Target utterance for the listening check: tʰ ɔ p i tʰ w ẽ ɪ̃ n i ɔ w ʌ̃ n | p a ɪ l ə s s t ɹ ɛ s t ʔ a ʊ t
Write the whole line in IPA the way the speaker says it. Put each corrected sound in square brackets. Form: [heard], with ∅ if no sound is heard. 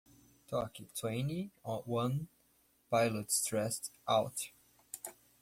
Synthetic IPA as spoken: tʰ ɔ [k] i tʰ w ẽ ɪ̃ n i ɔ w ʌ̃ n | p a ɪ l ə [t] s t ɹ ɛ s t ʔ a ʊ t